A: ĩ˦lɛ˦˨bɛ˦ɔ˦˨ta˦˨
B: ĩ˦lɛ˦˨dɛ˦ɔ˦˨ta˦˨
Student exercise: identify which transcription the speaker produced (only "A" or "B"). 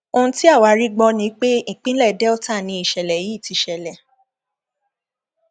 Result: B